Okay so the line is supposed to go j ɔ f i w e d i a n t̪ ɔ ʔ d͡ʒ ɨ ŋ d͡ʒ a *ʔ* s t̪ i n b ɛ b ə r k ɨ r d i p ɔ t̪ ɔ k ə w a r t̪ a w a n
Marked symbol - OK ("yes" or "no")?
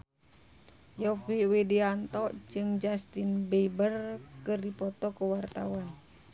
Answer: no